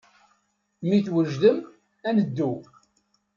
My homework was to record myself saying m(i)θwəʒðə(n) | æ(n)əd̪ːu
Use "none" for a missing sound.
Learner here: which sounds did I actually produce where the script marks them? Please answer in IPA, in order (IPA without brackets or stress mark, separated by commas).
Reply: i, m, n